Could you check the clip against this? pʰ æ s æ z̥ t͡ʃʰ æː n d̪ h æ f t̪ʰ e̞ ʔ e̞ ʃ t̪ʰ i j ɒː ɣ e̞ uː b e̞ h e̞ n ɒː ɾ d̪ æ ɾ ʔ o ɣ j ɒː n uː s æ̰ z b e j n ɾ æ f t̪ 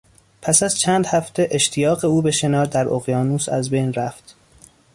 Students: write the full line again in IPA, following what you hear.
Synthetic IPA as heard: pʰ æ s æ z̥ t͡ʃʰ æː n d̪ h æ f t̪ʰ e̞ ʔ e̞ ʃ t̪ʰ i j ɒː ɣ e̞ uː b e̞ ʃ e̞ n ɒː ɾ d̪ æ ɾ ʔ o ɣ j ɒː n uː s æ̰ z b e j n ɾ æ f t̪